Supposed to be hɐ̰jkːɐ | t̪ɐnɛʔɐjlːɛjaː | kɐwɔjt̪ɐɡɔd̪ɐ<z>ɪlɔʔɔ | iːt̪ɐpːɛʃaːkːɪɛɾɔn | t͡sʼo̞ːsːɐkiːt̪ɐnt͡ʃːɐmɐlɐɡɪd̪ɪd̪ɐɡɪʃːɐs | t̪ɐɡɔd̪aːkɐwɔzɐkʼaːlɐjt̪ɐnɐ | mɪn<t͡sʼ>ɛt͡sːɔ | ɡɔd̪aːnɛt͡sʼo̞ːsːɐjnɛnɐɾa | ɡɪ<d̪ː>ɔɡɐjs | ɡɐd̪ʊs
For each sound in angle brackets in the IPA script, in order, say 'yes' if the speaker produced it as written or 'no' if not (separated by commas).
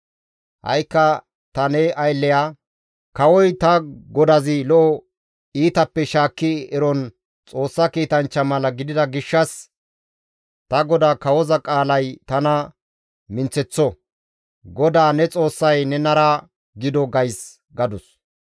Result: yes, no, no